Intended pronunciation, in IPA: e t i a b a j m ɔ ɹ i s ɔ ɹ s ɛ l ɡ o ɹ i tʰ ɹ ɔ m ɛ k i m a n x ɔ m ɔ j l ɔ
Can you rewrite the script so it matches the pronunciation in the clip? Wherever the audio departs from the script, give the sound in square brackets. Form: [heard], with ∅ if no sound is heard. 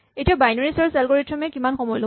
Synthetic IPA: e t i a b a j [n] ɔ ɹ i s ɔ ɹ s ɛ l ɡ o ɹ i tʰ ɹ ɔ m ɛ k i m a n x ɔ m ɔ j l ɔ